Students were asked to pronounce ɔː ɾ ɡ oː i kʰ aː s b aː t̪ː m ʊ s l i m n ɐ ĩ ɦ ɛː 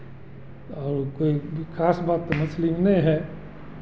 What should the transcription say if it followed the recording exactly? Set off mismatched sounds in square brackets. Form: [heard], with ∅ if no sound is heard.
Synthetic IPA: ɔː ɾ [k] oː i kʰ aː s b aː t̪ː m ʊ s l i m n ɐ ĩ ɦ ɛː

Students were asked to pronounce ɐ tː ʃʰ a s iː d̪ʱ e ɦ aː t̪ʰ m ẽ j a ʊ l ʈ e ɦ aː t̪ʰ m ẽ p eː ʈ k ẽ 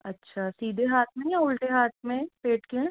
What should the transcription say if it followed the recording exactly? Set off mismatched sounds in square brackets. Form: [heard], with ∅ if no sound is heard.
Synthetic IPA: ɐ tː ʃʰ a s iː d̪ʱ e ɦ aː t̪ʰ m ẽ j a ʊ l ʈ e ɦ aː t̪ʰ m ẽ p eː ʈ k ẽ

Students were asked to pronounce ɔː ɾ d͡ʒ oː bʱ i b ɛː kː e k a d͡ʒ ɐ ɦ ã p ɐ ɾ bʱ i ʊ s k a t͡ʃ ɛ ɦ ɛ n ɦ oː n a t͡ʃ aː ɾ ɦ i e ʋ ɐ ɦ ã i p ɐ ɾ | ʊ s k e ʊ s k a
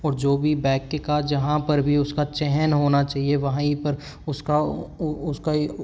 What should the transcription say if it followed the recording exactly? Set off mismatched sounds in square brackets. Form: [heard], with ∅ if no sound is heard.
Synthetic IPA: ɔː ɾ d͡ʒ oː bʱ i b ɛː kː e k a d͡ʒ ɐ ɦ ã p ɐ ɾ bʱ i ʊ s k a t͡ʃ ɛ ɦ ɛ n ɦ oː n a t͡ʃ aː [∅] ɦ i e ʋ ɐ ɦ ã i p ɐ ɾ | ʊ s k [a] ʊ s k a

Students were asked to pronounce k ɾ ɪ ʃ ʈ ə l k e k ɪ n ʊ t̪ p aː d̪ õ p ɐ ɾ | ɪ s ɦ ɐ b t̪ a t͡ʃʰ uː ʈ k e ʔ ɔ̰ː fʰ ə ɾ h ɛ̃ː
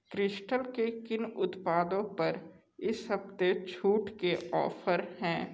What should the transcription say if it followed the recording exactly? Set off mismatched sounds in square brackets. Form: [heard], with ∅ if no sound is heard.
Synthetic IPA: k ɾ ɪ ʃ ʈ ə l k e k ɪ n ʊ t̪ p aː d̪ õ p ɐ ɾ | ɪ s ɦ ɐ b t̪ [e] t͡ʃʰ uː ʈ k e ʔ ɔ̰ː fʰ ə ɾ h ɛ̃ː

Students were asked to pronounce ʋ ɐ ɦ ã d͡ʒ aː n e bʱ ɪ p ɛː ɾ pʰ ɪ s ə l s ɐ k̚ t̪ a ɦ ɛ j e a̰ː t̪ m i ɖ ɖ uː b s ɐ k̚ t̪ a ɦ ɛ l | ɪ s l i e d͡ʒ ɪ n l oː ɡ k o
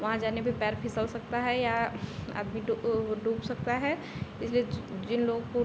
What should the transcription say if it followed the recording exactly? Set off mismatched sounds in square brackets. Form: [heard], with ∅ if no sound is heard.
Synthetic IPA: ʋ ɐ ɦ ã d͡ʒ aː n e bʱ [i] p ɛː ɾ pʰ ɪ s ə l s ɐ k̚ t̪ a ɦ ɛ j [a] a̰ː [d̪] m i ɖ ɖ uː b s ɐ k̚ t̪ a ɦ ɛ [∅] | ɪ s l i e d͡ʒ ɪ n l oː ɡ k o

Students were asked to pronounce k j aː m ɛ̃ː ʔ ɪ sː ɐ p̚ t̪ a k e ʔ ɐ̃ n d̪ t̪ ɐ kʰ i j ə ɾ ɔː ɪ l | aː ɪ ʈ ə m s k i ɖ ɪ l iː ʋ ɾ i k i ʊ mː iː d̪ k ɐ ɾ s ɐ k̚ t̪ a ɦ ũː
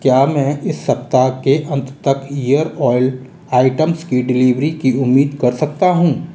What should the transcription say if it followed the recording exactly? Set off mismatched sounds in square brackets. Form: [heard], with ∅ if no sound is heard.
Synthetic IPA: k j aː m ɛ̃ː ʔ ɪ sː ɐ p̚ t̪ a k e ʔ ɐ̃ n [t̪] t̪ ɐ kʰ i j ə ɾ ɔː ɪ l | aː ɪ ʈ ə m s k i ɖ ɪ l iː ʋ ɾ i k i ʊ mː iː d̪ k ɐ ɾ s ɐ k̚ t̪ a ɦ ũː

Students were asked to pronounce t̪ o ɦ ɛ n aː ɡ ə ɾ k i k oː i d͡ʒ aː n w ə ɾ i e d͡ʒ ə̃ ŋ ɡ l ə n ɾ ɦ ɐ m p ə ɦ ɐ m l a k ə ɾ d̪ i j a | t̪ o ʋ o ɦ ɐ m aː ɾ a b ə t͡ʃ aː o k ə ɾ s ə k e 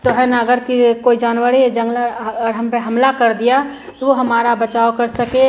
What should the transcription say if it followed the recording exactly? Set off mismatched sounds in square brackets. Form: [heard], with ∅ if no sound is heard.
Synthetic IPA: t̪ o ɦ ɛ n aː ɡ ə ɾ k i k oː i d͡ʒ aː n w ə ɾ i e d͡ʒ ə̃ ŋ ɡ l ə [∅] ɾ ɦ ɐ m p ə ɦ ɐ m l a k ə ɾ d̪ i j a | t̪ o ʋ o ɦ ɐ m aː ɾ a b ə t͡ʃ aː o k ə ɾ s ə k e

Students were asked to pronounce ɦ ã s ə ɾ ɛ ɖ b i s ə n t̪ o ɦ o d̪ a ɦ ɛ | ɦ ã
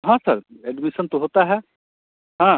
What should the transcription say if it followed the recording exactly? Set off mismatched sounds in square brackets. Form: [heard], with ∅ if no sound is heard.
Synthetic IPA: ɦ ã s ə ɾ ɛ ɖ [m] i s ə n t̪ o ɦ o [t̪] a ɦ ɛ | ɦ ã

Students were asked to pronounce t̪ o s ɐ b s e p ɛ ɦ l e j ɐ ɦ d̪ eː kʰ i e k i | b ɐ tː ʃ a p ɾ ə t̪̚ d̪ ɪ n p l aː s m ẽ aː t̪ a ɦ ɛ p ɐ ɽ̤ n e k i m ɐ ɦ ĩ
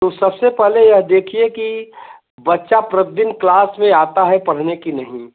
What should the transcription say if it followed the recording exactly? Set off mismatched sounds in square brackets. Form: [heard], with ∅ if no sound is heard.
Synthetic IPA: t̪ o s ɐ b s e p ɛ ɦ l e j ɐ ɦ d̪ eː kʰ i e k i | b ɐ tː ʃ a p ɾ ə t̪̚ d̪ ɪ n [k] l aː s m ẽ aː t̪ a ɦ ɛ p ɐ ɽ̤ n e k i [n] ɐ ɦ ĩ

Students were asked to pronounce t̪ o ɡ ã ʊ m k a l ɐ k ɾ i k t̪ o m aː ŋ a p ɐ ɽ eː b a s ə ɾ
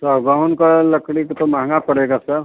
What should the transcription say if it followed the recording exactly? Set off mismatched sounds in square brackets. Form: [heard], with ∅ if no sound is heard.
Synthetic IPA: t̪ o ɡ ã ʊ [n] k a l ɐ k [ɽ] i k t̪ o m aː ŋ a p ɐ ɽ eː [ɡ] a s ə ɾ

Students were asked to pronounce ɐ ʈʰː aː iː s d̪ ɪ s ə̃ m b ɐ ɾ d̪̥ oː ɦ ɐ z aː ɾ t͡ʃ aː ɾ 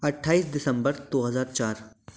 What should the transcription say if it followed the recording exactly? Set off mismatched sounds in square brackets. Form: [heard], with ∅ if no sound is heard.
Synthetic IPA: ɐ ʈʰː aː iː s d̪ ɪ s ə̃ m b [ə] ɾ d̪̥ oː ɦ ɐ z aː ɾ t͡ʃ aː ɾ

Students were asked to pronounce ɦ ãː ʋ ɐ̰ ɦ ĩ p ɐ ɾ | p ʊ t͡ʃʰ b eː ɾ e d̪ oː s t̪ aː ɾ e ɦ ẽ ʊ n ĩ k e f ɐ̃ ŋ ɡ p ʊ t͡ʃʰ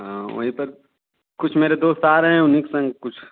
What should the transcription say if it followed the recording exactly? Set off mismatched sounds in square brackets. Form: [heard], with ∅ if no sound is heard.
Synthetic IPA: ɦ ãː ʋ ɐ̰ ɦ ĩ p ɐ ɾ | [k] ʊ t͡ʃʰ [m] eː ɾ e d̪ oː s t̪ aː ɾ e ɦ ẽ ʊ n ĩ k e [s] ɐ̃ ŋ ɡ [k] ʊ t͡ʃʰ

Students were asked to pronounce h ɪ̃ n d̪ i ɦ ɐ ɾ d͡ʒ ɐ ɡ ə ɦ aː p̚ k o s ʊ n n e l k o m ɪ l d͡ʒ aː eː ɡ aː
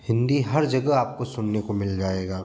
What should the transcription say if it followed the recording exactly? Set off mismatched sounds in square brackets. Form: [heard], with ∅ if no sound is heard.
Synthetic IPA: h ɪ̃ n d̪ i ɦ ɐ ɾ d͡ʒ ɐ ɡ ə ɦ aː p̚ k o s ʊ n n e [∅] k o m ɪ l d͡ʒ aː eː ɡ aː

